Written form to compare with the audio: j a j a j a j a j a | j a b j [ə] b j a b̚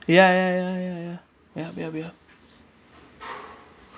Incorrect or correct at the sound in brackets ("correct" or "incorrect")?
incorrect